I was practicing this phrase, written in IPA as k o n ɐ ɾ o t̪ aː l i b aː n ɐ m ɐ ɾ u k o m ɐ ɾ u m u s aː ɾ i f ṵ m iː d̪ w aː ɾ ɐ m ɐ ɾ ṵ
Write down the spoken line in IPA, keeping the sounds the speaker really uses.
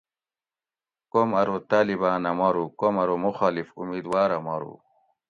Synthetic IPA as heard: k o m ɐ ɾ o t̪ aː l i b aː n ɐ m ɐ ɾ u k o m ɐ ɾ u m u x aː l i f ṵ m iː d̪ w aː ɾ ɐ m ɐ ɾ ṵ